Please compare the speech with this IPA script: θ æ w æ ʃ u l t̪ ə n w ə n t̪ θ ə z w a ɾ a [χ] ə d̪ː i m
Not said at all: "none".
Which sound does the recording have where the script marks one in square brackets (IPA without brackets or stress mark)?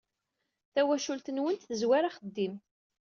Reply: χ